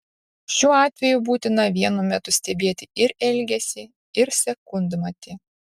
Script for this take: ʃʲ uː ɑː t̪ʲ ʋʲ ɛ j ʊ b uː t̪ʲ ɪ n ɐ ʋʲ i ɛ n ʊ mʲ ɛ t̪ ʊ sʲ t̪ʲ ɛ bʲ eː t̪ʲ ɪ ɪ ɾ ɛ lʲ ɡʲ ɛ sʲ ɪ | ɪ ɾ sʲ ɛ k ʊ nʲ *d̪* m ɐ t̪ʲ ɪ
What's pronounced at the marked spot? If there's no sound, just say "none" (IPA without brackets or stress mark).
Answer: d̪